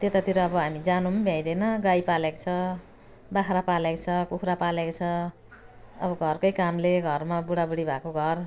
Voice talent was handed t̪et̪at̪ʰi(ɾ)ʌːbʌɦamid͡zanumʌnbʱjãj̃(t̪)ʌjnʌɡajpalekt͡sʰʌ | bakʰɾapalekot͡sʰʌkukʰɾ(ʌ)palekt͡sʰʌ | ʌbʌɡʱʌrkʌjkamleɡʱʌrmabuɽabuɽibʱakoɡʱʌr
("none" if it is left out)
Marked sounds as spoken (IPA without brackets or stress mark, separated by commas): ɾ, d̪, a